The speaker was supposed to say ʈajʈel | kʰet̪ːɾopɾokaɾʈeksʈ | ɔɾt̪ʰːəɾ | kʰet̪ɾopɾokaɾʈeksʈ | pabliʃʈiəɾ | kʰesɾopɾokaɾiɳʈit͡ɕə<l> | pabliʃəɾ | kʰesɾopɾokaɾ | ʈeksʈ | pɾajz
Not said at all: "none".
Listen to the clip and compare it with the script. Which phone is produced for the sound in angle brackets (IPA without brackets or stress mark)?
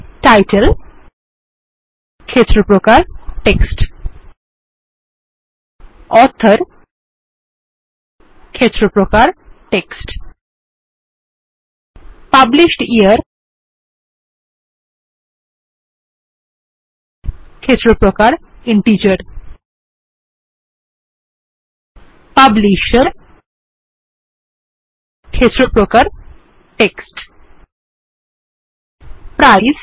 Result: ɾ